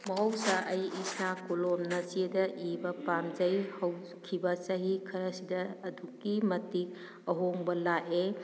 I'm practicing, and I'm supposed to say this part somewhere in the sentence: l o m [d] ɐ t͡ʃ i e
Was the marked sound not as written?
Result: yes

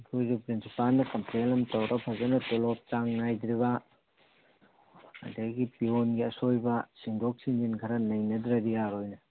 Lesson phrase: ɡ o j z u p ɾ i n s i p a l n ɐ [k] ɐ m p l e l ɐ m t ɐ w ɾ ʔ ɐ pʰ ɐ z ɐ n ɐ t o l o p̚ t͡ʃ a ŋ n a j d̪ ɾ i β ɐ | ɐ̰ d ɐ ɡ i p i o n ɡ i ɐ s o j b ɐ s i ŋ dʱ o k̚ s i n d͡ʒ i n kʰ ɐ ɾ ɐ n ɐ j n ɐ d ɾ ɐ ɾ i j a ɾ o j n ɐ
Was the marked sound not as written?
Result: no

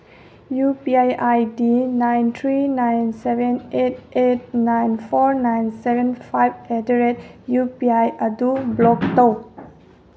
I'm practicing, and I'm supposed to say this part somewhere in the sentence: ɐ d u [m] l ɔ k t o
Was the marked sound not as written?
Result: yes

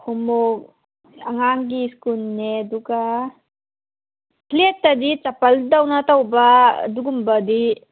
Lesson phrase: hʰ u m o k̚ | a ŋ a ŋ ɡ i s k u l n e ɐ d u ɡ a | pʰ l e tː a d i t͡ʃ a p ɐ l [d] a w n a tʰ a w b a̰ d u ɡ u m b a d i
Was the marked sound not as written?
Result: no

